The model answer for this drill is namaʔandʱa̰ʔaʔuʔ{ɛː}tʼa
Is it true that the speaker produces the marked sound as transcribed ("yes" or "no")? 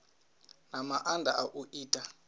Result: no